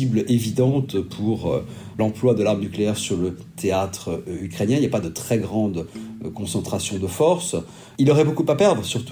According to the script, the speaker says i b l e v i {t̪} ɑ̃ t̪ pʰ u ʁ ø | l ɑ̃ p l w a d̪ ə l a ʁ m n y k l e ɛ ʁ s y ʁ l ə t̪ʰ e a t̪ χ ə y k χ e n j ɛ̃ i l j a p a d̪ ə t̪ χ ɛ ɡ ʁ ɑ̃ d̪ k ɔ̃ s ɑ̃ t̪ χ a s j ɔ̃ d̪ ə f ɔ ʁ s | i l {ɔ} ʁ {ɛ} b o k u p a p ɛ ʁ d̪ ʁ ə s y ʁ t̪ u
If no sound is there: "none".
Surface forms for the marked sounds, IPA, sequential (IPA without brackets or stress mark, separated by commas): d̪, ɔ, ɛ